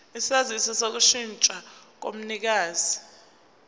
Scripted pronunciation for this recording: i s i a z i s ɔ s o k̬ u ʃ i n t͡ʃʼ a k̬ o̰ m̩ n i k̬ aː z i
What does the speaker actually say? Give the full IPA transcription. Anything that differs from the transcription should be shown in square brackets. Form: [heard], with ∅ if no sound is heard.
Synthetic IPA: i s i a z i s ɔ s o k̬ u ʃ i n t͡ʃʼ a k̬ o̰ m̩ n i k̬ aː z i